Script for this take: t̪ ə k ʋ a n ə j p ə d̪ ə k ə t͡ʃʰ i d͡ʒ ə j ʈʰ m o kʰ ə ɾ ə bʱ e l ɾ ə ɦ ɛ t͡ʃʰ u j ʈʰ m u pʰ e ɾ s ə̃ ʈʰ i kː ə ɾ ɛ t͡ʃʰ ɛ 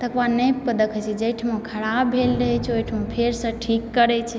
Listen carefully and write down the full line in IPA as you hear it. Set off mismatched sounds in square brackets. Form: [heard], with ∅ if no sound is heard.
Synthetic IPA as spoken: t̪ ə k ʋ a n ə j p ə d̪ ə k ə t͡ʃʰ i d͡ʒ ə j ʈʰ m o kʰ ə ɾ [a] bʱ e l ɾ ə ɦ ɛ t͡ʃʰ [o] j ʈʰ m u pʰ e ɾ s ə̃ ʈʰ i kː ə ɾ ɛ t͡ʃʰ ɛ